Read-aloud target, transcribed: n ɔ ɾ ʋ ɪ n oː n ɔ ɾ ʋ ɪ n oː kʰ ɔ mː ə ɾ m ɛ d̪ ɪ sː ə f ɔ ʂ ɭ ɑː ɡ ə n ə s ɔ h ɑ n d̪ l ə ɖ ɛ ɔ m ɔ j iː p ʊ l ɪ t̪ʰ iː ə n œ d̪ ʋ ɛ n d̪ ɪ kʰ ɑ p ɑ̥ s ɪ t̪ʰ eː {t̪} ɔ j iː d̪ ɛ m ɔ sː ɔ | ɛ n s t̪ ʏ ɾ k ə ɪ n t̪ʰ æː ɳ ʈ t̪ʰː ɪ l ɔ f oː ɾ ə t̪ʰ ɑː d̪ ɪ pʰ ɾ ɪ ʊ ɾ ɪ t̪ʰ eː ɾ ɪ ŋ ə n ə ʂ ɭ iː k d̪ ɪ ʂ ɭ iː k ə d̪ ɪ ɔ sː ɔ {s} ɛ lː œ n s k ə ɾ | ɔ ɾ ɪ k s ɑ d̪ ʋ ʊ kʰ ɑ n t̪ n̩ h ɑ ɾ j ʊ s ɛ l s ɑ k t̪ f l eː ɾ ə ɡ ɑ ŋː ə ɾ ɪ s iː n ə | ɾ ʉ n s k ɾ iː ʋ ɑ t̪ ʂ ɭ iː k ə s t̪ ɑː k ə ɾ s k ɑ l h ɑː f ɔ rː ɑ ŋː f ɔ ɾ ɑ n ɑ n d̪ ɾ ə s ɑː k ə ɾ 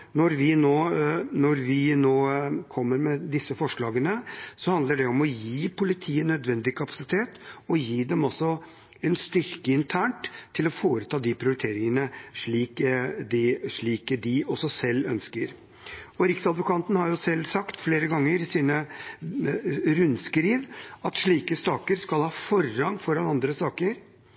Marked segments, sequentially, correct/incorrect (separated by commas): correct, correct